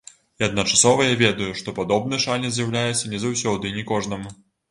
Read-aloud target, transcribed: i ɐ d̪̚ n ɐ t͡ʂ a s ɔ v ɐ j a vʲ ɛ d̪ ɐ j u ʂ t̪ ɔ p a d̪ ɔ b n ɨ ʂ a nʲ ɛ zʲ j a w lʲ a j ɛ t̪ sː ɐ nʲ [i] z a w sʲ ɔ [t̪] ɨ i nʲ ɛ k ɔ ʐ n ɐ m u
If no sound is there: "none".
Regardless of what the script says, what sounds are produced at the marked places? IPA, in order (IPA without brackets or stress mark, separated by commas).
ɛ, d̪